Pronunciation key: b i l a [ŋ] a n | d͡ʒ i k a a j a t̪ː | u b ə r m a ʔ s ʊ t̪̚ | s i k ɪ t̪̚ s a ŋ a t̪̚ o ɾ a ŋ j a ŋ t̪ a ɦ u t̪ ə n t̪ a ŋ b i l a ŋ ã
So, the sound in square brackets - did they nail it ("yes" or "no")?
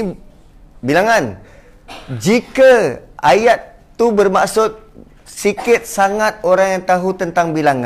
yes